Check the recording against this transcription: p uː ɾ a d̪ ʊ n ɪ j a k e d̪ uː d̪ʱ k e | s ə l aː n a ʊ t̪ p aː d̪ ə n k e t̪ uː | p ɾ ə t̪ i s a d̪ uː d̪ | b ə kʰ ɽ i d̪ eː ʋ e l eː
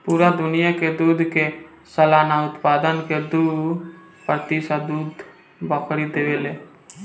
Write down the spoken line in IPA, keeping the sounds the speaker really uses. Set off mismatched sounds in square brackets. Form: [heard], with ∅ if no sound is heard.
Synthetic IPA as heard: p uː ɾ a d̪ ʊ n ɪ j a k e d̪ uː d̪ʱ k e | s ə l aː n a ʊ t̪ p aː d̪ ə n k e [d̪] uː | p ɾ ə t̪ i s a d̪ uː d̪ | b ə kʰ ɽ i d̪ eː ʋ e l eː